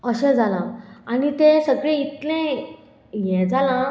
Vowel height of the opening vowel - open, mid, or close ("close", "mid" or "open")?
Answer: mid